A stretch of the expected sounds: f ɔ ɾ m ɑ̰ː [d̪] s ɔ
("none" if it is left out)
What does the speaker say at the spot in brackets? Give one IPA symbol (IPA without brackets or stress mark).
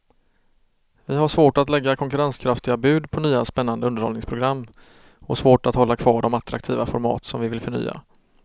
t̪